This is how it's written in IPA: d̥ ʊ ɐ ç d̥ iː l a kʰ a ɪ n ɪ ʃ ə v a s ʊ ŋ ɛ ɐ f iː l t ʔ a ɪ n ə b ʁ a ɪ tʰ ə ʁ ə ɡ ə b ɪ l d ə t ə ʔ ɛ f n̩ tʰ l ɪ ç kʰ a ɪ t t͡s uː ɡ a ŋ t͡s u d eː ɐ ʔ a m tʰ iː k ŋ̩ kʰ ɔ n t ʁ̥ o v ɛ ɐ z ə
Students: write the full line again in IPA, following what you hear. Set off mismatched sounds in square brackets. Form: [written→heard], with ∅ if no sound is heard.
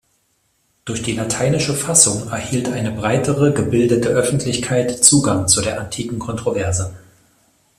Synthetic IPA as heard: d̥ ʊ ɐ ç d̥ iː l a [kʰ→tʰ] a ɪ n ɪ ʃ ə [v→f] a s ʊ ŋ ɛ ɐ [f→h] iː l t ʔ a ɪ n ə b ʁ a ɪ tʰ ə ʁ ə ɡ ə b ɪ l d ə t ə ʔ [ɛ→œ] f n̩ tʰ l ɪ ç kʰ a ɪ t t͡s uː ɡ a ŋ t͡s u d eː ɐ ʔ a [m→n] tʰ iː k ŋ̩ kʰ ɔ n t ʁ̥ o v ɛ ɐ z ə